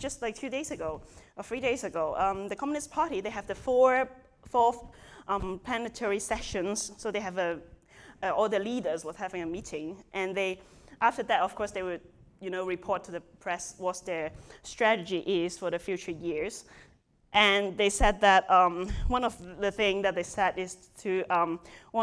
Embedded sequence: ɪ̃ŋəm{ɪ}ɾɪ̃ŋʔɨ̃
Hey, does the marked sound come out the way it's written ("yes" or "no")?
no